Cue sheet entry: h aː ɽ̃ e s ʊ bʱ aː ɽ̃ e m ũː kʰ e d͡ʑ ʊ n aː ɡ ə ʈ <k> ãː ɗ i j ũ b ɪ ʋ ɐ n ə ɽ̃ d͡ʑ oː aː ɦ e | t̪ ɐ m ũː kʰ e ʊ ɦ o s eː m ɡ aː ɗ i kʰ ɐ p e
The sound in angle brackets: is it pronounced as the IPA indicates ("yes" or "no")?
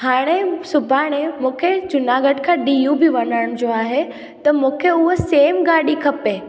no